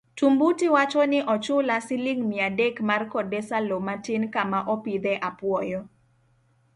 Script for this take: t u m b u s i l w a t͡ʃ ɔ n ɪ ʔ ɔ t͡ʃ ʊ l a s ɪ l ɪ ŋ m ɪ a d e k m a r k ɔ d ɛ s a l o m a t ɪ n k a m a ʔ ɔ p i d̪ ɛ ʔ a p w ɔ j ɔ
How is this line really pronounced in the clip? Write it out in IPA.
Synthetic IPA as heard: t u m b u t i w a t͡ʃ ɔ n ɪ ʔ ɔ t͡ʃ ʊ l a s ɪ l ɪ ŋ m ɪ a d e k m a r k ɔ d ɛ s a l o m a t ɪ n k a m a ʔ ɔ p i d̪ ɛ ʔ a p w ɔ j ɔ